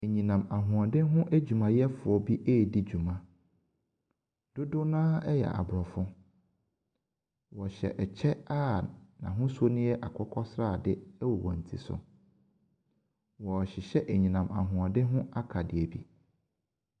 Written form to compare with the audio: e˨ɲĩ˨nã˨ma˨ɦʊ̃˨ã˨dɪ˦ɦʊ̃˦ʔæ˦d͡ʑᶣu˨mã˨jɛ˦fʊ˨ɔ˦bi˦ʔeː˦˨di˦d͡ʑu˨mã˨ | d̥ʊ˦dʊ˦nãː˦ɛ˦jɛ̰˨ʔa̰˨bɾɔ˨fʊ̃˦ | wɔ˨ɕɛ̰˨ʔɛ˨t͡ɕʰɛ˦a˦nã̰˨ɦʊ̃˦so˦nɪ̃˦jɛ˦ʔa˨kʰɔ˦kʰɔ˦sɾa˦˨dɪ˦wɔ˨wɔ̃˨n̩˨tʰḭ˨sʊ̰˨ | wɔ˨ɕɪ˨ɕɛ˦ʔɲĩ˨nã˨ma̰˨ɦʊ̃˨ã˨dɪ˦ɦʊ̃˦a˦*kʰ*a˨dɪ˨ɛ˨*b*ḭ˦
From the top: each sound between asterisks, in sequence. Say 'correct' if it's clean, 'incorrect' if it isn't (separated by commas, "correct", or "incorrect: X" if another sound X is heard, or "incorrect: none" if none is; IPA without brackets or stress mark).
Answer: correct, correct